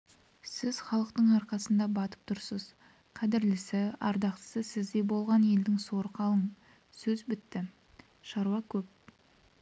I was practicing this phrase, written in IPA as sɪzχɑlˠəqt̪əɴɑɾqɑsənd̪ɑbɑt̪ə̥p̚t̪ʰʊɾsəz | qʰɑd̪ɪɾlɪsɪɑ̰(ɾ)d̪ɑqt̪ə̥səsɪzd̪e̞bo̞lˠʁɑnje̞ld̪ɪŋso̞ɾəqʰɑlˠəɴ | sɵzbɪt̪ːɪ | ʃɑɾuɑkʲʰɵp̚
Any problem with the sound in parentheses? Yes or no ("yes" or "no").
no